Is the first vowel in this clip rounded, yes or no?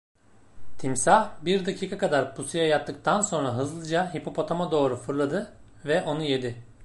no